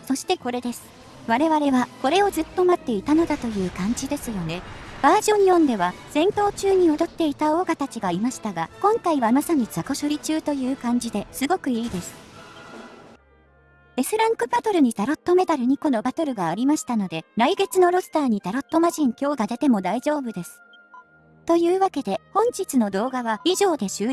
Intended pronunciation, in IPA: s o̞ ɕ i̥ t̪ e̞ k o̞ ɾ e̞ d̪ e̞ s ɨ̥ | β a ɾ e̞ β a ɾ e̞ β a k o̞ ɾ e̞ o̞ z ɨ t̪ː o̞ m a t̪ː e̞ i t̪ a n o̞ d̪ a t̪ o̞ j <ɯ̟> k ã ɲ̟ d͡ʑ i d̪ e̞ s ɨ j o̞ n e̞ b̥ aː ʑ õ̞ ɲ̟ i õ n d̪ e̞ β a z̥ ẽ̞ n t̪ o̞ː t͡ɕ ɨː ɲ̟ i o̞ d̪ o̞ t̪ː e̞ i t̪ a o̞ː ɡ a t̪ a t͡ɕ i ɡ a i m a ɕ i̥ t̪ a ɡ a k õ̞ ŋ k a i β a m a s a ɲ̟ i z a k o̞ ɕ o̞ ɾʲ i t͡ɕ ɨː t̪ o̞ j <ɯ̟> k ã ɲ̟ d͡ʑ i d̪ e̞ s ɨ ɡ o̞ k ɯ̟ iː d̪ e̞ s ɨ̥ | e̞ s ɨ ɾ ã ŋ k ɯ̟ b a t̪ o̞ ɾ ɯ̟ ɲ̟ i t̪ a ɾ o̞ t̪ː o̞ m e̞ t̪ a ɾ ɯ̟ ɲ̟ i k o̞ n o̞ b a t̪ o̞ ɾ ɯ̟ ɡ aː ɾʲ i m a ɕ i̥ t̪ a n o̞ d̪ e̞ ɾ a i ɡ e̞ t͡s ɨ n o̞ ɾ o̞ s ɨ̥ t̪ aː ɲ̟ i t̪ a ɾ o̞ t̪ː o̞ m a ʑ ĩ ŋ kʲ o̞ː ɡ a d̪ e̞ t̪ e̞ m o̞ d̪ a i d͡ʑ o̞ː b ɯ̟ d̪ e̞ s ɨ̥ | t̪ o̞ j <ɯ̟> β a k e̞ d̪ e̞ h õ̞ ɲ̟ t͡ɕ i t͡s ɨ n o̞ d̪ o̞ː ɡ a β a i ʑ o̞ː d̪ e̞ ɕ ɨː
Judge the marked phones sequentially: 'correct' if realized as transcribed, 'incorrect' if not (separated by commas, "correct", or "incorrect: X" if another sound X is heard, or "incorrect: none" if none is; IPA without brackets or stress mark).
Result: incorrect: ɯ̟ː, incorrect: ɯ̟ː, incorrect: ɯ̟ː